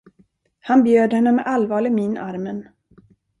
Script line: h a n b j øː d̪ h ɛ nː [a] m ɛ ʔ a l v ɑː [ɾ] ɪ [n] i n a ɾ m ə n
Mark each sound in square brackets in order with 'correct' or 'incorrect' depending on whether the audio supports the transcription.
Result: incorrect, incorrect, incorrect

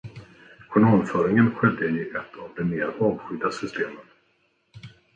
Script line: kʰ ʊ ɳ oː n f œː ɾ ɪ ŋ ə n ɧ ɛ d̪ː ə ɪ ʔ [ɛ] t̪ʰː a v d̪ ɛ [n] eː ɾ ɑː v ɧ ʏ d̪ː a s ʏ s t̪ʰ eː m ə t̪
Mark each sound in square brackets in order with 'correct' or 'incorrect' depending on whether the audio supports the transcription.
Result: correct, incorrect

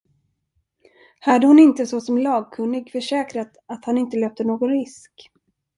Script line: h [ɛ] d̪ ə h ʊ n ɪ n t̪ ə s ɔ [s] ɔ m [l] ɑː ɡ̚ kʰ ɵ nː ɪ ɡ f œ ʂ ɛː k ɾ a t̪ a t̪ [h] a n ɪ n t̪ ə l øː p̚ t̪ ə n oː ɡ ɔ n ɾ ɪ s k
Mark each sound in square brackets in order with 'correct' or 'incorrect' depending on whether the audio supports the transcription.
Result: incorrect, correct, correct, correct

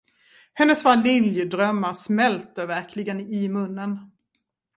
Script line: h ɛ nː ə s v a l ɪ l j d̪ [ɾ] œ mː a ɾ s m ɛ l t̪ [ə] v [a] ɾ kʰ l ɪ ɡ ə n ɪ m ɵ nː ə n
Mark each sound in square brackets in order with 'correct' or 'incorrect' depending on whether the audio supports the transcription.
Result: correct, correct, incorrect

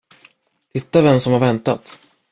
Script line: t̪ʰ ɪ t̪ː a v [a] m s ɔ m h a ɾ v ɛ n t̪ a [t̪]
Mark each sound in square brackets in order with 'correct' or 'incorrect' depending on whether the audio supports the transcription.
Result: incorrect, correct

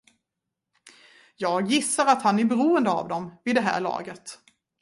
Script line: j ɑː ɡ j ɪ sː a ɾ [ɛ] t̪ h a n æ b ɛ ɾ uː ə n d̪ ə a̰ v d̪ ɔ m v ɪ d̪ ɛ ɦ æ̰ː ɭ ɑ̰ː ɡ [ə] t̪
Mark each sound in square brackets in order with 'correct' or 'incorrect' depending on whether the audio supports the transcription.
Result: incorrect, correct

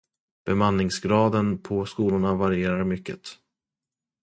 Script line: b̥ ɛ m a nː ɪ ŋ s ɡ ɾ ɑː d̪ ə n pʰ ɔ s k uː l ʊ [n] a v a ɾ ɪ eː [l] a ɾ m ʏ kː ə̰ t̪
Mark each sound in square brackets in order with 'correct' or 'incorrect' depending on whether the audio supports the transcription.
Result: incorrect, incorrect

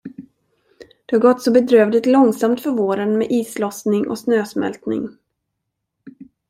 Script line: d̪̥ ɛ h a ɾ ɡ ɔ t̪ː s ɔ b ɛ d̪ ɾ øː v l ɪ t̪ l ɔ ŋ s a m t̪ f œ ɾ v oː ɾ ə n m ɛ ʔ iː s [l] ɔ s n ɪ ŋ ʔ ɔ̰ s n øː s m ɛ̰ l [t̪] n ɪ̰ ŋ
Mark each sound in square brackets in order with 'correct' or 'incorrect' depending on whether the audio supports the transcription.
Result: correct, correct

